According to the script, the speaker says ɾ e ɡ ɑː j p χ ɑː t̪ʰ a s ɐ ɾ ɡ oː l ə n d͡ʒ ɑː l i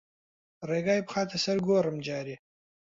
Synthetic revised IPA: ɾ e ɡ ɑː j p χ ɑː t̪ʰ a s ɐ ɾ ɡ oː ɾ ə m d͡ʒ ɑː ɾ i